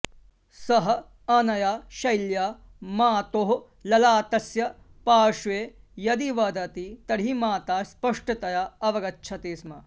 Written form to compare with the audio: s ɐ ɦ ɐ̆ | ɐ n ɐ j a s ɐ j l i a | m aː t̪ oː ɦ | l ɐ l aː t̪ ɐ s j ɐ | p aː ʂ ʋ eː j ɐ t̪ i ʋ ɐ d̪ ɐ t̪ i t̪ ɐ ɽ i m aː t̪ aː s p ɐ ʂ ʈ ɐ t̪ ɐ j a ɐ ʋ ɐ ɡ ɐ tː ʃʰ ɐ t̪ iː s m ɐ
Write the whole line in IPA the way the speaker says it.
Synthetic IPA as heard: s ɐ ɦ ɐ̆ | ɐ n ɐ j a ʃ ɐ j l j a | m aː t̪ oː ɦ | l ɐ l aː t̪ ɐ s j ɐ | p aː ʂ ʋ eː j ɐ d̪ i ʋ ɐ d̪ ɐ t̪ i t̪ ɐ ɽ i m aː t̪ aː s p ɐ ʂ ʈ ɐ t̪ ɐ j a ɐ ʋ ɐ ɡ ɐ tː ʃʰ ɐ t̪ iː s m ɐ